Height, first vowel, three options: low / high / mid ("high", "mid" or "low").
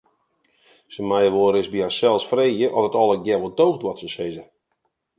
mid